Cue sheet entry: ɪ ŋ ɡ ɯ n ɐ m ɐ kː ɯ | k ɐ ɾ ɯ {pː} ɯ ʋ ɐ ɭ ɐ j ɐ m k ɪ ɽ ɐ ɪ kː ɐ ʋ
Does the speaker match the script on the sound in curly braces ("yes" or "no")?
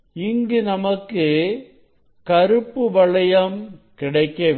yes